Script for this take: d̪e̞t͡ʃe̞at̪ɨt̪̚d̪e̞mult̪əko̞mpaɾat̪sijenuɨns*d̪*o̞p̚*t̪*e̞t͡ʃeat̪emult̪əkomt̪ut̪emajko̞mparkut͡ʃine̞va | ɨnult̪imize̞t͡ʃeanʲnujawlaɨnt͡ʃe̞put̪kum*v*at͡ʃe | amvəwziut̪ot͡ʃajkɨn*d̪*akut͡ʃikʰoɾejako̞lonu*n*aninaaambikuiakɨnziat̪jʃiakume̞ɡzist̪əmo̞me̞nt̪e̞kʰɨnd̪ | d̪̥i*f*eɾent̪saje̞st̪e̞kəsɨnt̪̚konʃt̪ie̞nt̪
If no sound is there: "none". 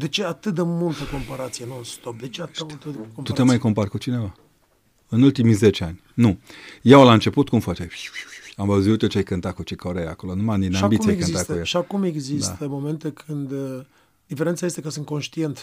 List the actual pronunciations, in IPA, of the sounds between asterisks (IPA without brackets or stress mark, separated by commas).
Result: t̪, d̪, f, t̪, m, f